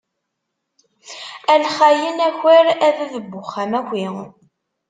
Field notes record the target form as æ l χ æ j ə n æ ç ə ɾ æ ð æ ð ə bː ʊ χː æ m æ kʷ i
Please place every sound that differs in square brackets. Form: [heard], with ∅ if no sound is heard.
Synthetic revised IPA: æ l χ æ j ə n æ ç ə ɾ æ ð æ ð ə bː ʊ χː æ m æ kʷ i